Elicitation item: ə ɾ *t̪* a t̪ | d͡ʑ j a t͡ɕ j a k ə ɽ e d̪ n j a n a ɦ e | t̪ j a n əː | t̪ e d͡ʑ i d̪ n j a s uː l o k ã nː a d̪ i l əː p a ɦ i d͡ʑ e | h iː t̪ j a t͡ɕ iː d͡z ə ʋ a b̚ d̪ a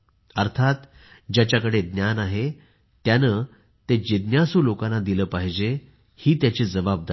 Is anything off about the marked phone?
yes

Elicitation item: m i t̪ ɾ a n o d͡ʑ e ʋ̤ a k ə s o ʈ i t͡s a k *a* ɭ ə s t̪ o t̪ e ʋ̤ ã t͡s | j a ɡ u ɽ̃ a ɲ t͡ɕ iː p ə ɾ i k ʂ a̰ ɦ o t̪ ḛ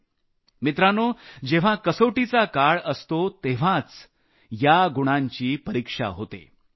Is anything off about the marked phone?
no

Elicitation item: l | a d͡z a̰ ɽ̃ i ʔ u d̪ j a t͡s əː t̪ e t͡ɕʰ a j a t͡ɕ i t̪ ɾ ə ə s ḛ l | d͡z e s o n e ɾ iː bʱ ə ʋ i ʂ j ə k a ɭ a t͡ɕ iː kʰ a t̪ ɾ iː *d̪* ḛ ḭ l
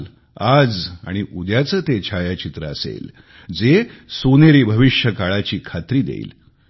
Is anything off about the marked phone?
no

